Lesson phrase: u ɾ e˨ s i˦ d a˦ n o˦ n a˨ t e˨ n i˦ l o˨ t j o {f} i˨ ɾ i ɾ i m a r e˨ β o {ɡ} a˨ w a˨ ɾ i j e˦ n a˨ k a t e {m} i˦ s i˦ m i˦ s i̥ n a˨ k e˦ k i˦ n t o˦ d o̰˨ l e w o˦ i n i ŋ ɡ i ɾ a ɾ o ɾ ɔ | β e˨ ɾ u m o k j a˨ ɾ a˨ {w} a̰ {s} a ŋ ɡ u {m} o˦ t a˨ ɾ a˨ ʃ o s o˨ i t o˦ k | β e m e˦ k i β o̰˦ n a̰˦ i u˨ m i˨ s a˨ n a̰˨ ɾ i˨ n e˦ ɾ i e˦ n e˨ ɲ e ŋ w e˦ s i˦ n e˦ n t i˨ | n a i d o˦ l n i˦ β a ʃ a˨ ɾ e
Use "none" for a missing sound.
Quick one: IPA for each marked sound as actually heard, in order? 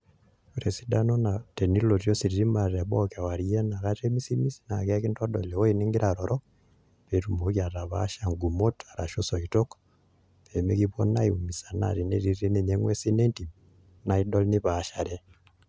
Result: s, k, m, β, ʃ, m

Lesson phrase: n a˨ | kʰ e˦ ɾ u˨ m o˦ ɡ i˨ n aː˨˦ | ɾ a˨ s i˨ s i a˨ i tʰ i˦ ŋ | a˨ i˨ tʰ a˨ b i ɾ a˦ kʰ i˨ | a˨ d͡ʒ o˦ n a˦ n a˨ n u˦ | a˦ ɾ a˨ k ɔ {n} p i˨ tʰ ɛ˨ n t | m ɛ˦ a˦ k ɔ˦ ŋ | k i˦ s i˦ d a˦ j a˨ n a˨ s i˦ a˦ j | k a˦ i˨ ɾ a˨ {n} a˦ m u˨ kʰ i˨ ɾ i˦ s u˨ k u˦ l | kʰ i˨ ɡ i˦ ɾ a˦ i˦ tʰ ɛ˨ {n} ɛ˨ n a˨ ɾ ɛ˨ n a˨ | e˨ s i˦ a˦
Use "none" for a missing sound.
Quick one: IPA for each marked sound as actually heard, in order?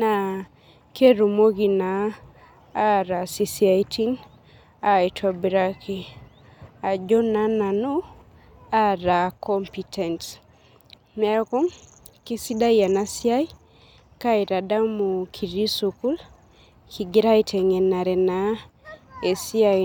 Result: m, d, ŋ

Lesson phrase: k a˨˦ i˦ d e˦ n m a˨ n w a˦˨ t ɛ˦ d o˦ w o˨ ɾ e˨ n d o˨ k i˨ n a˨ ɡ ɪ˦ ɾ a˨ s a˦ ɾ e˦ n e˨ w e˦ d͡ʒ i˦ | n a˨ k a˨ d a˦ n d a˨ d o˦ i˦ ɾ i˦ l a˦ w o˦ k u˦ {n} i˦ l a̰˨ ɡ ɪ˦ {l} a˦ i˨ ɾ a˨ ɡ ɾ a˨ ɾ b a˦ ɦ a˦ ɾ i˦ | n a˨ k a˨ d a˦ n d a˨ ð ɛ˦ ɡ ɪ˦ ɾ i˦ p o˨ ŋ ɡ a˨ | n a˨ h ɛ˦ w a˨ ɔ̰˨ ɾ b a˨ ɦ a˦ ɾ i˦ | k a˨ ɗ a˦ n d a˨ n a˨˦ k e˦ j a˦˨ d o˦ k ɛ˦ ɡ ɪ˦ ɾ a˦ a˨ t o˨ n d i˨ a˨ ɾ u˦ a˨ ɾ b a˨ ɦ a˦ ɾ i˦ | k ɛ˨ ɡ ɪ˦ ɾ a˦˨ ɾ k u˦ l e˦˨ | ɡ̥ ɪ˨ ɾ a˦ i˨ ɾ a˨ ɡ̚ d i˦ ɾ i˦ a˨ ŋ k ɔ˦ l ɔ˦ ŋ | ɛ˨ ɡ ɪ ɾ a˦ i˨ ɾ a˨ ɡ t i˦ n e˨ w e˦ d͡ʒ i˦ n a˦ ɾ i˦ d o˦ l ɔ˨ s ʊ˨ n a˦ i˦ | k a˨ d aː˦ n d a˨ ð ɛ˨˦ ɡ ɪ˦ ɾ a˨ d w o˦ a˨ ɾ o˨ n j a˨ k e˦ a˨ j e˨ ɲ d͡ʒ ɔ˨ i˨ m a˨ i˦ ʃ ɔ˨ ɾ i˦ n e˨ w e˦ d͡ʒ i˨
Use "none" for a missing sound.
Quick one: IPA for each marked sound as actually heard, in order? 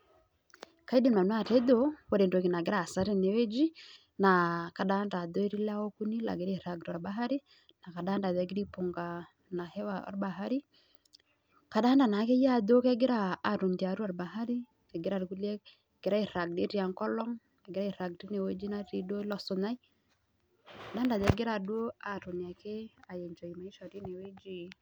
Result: n, ɾ

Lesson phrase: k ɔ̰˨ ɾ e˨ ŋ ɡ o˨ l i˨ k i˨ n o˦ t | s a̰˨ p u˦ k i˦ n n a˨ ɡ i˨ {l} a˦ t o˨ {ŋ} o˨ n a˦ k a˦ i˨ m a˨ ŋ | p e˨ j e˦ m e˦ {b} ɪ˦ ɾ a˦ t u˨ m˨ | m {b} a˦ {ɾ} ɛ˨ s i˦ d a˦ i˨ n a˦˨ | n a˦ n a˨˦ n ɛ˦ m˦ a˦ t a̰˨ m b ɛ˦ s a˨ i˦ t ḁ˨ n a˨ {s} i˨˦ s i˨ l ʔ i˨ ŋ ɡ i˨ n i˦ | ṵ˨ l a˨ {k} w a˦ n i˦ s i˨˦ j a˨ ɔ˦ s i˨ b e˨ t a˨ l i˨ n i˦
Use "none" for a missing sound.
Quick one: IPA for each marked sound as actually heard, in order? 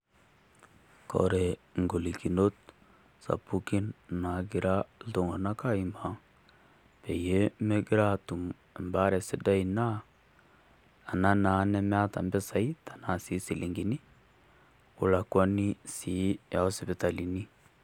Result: ɾ, ŋ, ɡ, b, ɾ, s, k

